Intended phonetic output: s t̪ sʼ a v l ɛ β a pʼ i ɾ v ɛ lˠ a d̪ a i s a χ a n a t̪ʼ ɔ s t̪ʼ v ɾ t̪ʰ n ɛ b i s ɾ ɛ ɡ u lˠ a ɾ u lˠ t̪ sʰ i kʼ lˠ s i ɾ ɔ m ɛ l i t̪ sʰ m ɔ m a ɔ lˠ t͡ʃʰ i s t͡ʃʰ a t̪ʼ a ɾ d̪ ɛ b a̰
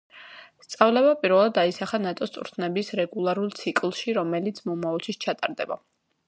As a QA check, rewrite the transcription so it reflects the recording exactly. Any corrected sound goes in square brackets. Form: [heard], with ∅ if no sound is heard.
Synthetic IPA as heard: s t̪ sʼ a v l ɛ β a pʼ i ɾ v ɛ lˠ a d̪ a i s a χ a n a t̪ʼ ɔ s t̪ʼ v ɾ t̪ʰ n ɛ b i s ɾ ɛ ɡ u lˠ a ɾ u lˠ t̪ sʰ i kʼ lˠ [ʃ] i ɾ ɔ m ɛ l i t̪ sʰ m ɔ m a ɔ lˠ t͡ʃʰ i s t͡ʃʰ a t̪ʼ a ɾ d̪ ɛ b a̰